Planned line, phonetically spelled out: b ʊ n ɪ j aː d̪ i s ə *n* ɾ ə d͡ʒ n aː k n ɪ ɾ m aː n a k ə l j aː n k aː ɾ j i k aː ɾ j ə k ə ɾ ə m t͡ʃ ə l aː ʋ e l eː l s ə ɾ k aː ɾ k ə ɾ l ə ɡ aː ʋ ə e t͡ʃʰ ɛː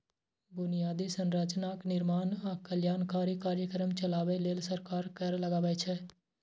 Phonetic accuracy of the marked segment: correct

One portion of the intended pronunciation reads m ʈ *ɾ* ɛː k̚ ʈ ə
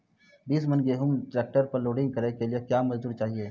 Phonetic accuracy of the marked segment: correct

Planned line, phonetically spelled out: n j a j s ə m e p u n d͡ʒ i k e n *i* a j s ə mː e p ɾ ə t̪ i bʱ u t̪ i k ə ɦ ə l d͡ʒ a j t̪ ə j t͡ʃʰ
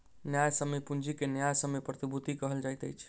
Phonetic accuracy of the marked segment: incorrect: j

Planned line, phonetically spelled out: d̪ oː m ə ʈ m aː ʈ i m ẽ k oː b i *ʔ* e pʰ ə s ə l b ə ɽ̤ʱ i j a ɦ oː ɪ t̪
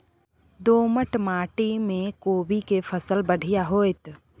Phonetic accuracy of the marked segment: incorrect: k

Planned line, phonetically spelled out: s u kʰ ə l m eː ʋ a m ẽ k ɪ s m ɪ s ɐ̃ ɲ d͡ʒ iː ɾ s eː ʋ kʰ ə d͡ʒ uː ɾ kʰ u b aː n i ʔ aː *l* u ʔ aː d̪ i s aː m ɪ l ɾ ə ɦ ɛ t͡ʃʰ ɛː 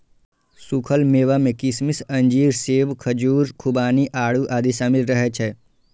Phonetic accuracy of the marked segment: incorrect: ɽ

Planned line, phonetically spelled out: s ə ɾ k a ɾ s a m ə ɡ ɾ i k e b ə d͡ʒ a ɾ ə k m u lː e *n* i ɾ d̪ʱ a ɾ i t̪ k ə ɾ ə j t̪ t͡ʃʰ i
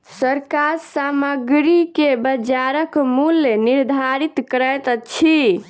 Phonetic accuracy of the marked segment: correct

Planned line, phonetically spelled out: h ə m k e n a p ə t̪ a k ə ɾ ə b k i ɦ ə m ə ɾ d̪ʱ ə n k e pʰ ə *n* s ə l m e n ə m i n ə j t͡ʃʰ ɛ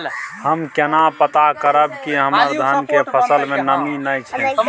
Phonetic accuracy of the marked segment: incorrect: none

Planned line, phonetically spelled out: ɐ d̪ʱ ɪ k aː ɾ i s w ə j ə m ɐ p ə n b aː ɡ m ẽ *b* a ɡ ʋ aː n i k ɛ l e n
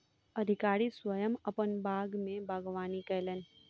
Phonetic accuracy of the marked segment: correct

